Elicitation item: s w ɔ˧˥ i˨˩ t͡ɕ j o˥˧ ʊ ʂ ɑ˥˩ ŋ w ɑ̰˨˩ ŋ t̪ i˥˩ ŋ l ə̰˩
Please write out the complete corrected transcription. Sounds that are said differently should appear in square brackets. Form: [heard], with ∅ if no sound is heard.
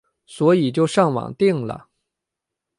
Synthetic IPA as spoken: s w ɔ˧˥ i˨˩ t͡ɕ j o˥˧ ʊ ʂ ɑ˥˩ ŋ w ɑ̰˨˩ ŋ t̪ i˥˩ ŋ l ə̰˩